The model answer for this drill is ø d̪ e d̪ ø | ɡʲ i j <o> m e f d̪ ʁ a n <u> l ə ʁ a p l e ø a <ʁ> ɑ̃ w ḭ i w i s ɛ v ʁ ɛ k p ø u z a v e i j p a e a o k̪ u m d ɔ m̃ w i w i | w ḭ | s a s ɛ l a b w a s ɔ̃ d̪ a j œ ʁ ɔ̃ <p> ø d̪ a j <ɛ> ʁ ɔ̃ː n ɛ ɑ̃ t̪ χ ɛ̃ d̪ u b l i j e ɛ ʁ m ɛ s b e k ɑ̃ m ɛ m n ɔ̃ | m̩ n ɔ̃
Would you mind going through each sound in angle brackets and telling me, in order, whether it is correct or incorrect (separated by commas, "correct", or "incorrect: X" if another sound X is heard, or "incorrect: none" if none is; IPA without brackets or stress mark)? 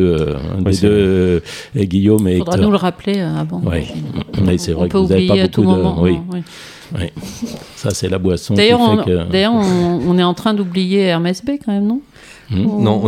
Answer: correct, correct, incorrect: v, incorrect: k, incorrect: œ